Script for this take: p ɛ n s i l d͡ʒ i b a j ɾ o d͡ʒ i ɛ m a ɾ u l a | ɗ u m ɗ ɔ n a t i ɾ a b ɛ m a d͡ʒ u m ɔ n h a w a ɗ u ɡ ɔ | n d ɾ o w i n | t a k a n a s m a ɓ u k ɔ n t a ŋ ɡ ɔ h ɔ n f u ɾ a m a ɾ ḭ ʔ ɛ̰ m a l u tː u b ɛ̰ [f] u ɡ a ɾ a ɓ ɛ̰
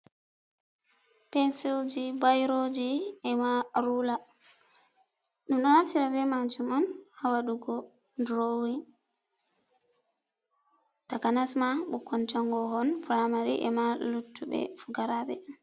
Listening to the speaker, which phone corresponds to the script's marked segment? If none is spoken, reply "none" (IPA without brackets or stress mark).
f